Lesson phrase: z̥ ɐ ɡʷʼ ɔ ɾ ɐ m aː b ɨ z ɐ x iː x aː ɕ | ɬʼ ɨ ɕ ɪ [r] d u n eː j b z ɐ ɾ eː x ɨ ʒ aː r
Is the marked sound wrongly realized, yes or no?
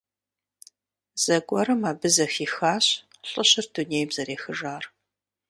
no